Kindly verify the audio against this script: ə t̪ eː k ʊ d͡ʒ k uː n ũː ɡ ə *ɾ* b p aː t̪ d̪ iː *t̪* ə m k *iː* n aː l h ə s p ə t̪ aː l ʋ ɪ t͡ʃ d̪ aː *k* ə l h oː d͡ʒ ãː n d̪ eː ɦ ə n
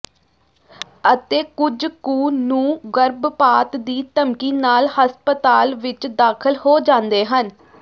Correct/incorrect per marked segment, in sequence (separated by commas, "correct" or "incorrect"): correct, correct, correct, incorrect